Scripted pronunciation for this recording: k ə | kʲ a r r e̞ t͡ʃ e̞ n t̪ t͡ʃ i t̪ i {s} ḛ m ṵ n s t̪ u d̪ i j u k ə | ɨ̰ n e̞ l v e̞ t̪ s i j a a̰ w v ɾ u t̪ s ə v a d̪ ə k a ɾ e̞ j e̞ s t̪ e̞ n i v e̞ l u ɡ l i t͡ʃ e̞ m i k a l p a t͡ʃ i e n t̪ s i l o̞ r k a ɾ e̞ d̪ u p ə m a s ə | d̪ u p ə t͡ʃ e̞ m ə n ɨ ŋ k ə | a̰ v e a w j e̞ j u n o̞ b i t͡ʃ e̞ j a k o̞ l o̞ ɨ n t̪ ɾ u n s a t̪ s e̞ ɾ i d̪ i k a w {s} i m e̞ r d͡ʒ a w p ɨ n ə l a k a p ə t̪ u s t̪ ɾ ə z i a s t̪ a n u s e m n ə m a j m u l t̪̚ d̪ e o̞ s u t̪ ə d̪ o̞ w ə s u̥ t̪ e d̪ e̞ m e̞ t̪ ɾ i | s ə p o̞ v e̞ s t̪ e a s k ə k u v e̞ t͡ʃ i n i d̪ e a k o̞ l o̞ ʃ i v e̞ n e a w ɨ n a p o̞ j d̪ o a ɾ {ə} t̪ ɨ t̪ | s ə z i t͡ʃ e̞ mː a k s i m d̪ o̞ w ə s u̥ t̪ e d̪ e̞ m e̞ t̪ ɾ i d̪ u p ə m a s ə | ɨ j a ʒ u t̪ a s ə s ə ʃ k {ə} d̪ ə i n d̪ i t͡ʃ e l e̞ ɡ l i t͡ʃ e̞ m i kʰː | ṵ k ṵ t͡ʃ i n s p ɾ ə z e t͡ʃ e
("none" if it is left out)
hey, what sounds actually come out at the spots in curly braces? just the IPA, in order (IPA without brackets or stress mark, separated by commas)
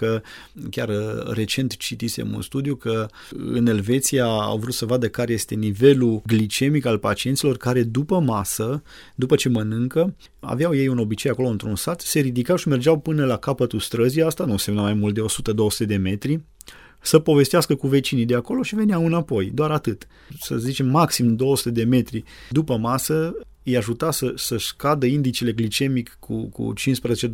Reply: s, ʃ, a, a